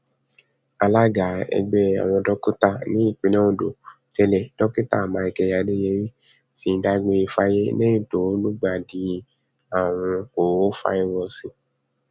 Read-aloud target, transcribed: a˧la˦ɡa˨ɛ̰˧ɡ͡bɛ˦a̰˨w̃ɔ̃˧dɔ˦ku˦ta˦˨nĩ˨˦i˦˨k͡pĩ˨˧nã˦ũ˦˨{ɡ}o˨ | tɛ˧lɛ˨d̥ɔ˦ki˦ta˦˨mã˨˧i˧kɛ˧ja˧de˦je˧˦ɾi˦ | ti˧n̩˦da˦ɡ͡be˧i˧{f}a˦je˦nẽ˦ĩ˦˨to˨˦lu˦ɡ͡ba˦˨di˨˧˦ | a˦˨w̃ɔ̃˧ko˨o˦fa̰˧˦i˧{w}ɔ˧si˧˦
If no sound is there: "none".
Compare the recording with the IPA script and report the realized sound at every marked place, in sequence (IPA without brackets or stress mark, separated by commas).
d, f, w